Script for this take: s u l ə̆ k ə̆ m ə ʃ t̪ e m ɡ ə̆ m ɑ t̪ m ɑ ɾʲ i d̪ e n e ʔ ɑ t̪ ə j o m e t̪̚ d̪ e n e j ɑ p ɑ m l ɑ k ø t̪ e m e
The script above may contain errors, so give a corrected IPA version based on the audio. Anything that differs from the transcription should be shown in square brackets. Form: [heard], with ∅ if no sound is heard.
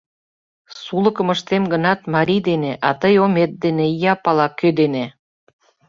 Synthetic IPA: s u l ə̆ k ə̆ m ə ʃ t̪ e m ɡ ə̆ [n] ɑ t̪ m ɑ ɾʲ i d̪ e n e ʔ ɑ t̪ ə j o m e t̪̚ d̪ e n e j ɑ p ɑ [∅] l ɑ k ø [d̪] e [n] e

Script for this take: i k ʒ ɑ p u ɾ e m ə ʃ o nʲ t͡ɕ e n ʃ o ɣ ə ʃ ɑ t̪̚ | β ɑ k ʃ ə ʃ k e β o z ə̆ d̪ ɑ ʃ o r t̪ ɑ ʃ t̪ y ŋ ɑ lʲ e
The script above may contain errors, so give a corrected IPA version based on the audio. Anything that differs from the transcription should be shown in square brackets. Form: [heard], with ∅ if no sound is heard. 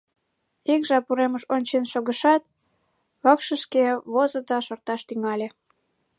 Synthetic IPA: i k ʒ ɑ p u ɾ e m ə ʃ o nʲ t͡ɕ e n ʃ o ɣ ə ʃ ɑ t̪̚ | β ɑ k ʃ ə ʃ k e β o z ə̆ d̪ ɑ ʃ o r t̪ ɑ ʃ t̪ y ŋ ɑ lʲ e

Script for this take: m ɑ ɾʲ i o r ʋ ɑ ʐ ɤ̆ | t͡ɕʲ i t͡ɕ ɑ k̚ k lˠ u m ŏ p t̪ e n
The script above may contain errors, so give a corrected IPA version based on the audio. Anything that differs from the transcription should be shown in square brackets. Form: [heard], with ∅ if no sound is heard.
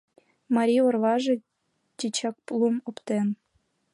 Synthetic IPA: m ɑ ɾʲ i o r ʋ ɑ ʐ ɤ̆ | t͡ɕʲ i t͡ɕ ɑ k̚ [p] lˠ u m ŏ p t̪ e n

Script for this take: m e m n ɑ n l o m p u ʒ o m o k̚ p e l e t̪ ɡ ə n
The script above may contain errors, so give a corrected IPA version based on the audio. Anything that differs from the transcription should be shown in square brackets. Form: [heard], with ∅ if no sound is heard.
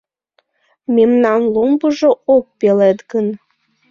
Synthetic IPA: m e m n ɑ n l o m [b] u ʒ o [∅] o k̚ p e l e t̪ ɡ ə n

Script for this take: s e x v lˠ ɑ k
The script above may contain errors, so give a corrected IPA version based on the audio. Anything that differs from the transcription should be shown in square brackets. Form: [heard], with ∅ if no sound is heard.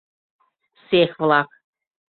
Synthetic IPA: s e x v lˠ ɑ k

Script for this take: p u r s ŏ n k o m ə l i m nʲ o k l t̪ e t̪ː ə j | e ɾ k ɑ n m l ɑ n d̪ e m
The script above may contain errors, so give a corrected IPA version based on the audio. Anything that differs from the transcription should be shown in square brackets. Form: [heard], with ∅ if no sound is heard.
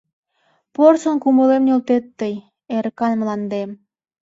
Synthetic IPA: p [o] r s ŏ n k [u] m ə l [e] m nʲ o [∅] l t̪ e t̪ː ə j | e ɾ k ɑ n m l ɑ n d̪ e m

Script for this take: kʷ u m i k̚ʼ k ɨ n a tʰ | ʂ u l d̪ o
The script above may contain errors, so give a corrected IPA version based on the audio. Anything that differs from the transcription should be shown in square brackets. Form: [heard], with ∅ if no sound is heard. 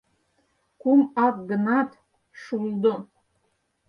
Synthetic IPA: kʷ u m [a] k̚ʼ [ɡ] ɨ n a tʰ | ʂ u l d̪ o

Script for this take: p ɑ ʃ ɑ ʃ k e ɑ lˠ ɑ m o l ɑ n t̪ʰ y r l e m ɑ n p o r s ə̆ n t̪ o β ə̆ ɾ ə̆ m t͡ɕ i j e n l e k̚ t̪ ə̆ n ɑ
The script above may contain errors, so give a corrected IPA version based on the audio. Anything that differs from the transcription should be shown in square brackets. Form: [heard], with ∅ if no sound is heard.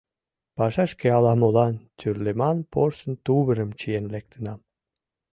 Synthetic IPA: p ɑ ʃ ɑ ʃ k e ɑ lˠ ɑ m o l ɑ n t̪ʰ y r l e m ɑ n p o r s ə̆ n t̪ [u] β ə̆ ɾ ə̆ m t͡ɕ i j e n l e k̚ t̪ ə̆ n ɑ

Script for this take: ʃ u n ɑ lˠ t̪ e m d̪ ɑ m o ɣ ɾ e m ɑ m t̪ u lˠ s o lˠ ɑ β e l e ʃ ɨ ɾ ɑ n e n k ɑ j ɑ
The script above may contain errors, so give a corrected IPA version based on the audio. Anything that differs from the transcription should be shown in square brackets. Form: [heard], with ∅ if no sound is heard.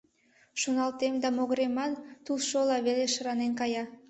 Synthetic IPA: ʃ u n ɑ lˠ t̪ e m d̪ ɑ m o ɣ ɾ e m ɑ [n] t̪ u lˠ [ʃ] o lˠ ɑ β e l e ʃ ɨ ɾ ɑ n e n k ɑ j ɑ

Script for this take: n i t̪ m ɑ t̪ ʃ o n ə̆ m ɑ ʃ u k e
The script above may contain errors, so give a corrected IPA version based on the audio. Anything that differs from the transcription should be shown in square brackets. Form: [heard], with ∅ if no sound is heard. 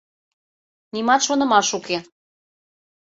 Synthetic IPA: n i [∅] m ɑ t̪ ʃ o n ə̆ m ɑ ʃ u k e

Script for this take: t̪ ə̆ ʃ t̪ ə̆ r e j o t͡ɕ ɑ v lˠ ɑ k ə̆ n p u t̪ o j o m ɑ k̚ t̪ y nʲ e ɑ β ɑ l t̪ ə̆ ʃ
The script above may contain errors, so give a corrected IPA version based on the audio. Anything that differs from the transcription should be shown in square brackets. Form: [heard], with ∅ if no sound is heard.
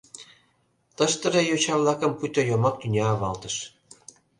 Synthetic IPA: t̪ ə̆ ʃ t̪ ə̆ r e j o t͡ɕ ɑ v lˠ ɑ k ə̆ [m] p u t̪ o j o m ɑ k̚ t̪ y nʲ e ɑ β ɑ l t̪ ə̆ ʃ

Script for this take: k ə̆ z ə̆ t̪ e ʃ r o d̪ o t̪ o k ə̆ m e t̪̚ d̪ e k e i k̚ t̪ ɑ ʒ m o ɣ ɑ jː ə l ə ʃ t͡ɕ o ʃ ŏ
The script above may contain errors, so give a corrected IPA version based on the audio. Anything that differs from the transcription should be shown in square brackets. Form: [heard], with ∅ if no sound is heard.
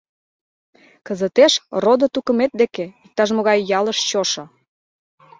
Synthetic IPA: k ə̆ z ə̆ t̪ e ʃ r o d̪ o t̪ [u] k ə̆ m e t̪̚ d̪ e k e i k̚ t̪ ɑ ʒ m o ɣ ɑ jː [ɑ] l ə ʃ t͡ɕ o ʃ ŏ

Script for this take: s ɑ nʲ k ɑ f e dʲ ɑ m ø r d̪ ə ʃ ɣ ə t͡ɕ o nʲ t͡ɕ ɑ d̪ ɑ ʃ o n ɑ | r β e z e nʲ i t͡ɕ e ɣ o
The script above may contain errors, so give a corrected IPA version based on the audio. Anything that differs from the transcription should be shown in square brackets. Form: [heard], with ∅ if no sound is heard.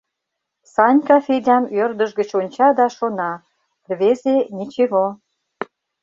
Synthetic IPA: s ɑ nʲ k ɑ f e dʲ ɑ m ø r d̪ ə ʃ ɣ ə t͡ɕ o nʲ t͡ɕ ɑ d̪ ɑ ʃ o n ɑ | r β e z e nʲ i t͡ɕ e ɣ o

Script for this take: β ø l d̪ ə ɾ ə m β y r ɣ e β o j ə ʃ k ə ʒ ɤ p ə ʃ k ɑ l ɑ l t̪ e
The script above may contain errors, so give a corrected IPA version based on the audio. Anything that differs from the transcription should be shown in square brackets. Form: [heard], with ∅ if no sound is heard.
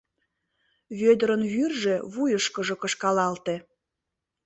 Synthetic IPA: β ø [∅] d̪ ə ɾ ə [n] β y r [ʒ] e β [u] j ə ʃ k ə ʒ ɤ [k] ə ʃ k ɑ l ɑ l t̪ e

